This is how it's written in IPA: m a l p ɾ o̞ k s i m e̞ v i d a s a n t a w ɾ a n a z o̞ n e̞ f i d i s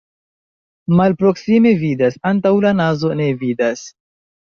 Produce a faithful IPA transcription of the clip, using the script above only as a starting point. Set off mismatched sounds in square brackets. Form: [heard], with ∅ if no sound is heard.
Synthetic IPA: m a l p ɾ o̞ k s i m e̞ v i d a s a n t a w [l] a n a z o̞ n e̞ [v] i d [a] s